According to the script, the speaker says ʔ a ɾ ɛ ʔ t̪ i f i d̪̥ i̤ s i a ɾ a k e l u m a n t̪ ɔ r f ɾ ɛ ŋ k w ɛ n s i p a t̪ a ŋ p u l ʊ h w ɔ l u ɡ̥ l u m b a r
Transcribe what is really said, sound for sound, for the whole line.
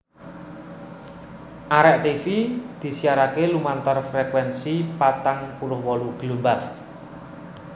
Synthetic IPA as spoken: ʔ a ɾ ɛ ʔ t̪ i f i d̪̥ i̤ s i a ɾ a k e l u m a n t̪ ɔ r f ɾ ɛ k w ɛ n s i p a t̪ a ŋ p u l ʊ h w ɔ l u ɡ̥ l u m b a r